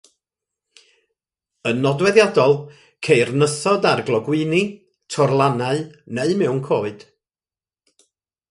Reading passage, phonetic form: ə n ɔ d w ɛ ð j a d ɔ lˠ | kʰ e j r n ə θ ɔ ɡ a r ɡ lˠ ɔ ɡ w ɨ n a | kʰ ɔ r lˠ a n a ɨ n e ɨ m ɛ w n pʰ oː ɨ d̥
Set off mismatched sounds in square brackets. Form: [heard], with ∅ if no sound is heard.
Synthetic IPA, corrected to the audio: ə n ɔ d w ɛ ð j a d ɔ lˠ | kʰ e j r n ə θ ɔ [d] a r ɡ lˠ ɔ ɡ w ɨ n [i] | [tʰ] ɔ r lˠ a n a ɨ n e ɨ m ɛ w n [kʰ] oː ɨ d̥